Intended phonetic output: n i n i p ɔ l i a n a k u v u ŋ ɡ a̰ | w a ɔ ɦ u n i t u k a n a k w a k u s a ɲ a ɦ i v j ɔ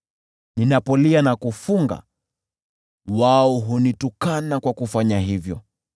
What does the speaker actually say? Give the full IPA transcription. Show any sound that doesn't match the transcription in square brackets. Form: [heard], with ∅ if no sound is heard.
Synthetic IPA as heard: n i n [a] p ɔ l i a n a k u [f] u ŋ ɡ a̰ | w a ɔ ɦ u n i t u k a n a k w a k u [f] a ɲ a ɦ i v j ɔ